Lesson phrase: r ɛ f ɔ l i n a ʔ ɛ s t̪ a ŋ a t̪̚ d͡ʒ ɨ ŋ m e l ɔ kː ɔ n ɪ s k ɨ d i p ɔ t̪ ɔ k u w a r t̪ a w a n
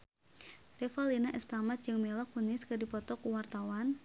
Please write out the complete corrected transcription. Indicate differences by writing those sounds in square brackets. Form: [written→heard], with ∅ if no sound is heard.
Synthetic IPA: r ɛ f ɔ l i n a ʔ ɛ s t̪ a [ŋ→m] a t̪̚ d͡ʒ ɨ ŋ m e l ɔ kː [ɔ→u] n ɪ s k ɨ d i p ɔ t̪ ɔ k u w a r t̪ a w a n